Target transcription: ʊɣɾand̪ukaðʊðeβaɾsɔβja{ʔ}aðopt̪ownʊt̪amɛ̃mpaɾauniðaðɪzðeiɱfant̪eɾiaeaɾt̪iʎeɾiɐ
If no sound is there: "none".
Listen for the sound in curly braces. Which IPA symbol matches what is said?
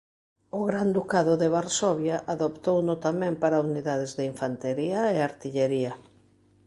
ʔ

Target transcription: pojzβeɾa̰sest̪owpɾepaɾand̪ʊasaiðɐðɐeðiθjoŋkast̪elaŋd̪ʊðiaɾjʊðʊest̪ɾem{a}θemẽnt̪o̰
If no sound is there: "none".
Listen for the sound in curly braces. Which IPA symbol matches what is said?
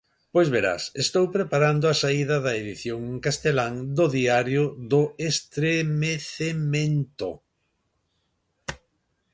e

